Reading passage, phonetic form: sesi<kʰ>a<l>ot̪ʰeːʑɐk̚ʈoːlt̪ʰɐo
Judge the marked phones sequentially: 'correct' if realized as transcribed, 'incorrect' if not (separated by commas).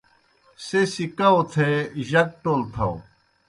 incorrect, incorrect